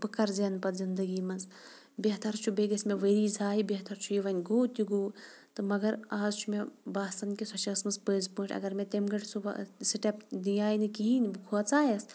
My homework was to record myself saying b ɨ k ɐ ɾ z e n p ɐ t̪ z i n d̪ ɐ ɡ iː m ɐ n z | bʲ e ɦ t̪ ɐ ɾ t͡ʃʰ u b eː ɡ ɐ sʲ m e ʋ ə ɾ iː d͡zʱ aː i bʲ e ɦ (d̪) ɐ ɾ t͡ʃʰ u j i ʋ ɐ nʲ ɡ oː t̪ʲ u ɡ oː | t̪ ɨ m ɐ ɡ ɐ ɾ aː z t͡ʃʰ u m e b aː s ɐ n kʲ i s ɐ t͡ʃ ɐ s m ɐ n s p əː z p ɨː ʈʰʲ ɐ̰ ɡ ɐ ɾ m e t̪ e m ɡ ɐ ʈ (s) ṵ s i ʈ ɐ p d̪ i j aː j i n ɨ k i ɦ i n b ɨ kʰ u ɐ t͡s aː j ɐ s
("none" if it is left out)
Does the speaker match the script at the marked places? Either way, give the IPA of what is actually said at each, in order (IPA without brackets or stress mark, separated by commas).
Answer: t̪, s